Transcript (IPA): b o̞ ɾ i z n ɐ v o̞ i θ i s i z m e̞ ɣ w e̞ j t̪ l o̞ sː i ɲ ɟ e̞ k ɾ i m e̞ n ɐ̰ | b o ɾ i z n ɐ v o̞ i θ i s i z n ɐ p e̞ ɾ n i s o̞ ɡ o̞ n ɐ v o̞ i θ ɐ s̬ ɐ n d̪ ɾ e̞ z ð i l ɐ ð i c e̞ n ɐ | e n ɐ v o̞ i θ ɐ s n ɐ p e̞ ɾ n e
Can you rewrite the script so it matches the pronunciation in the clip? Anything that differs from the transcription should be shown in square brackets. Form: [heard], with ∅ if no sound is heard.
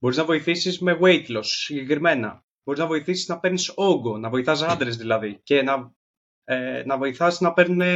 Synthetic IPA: b o̞ ɾ i z n ɐ v o̞ i θ i s i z m e̞ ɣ w e̞ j t̪ l o̞ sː i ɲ ɟ e̞ k ɾ i m e̞ n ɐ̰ | b o ɾ i z n ɐ v o̞ i θ i s i z n ɐ p e̞ ɾ n i s o̞ ɡ o̞ n ɐ v o̞ i θ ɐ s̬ ɐ n d̪ ɾ e̞ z ð i l ɐ ð i c e̞ n ɐ | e n ɐ v o̞ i θ ɐ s n ɐ p e̞ ɾ n e